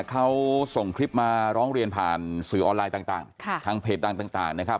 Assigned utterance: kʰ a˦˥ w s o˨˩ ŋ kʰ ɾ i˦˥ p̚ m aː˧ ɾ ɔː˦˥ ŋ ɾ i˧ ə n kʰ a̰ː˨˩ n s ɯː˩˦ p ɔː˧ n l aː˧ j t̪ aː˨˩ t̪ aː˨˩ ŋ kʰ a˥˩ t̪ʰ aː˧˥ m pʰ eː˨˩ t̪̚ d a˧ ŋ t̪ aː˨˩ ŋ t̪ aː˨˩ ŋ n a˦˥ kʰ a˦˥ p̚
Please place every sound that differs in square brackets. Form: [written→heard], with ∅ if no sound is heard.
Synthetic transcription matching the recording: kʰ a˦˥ w s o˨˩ ŋ kʰ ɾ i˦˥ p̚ m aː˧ ɾ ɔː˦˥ ŋ ɾ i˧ ə n [kʰ→pʰ] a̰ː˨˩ n s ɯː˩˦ [p→ʔ] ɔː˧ n l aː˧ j t̪ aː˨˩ t̪ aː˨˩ ŋ kʰ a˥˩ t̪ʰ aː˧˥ [m→ŋ] pʰ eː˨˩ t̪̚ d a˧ ŋ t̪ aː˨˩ ŋ t̪ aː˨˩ ŋ n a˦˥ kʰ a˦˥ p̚